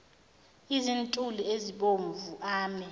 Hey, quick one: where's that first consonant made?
tongue tip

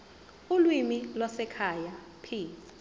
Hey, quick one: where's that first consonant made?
tongue tip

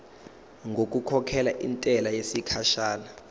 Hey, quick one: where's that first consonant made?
velum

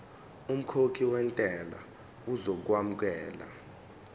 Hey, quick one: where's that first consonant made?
lips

